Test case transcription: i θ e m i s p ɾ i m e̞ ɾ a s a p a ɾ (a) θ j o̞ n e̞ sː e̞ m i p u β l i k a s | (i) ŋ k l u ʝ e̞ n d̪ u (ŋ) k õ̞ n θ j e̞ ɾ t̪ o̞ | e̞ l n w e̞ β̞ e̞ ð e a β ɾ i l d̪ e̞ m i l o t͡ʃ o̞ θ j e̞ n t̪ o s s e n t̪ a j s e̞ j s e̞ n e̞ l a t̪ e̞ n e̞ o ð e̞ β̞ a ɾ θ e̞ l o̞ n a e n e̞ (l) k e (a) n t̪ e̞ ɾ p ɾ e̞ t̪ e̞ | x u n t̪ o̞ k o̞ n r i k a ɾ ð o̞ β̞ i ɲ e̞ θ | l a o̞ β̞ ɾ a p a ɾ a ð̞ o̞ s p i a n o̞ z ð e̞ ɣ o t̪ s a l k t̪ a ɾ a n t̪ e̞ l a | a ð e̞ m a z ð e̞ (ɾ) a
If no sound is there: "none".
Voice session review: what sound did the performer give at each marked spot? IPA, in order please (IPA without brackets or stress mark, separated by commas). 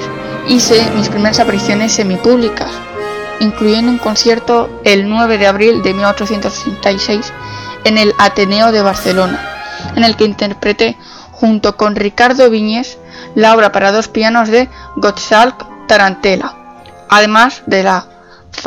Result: i, i, ŋ, l, i, l